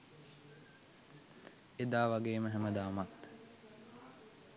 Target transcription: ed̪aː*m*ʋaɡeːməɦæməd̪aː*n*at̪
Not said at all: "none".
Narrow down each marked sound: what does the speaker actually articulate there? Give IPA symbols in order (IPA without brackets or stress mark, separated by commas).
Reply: none, m